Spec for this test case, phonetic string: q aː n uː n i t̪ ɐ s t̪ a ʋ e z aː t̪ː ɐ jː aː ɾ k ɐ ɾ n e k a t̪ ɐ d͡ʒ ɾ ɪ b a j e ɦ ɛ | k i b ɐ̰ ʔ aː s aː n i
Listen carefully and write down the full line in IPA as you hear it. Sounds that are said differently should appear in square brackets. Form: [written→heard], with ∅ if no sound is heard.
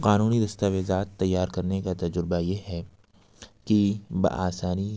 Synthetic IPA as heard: q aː n uː n i [t̪→d̪] ɐ s t̪ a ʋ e z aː t̪ː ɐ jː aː ɾ k ɐ ɾ n e k a t̪ ɐ d͡ʒ ɾ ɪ b a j e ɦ ɛ | k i b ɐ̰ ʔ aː s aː n i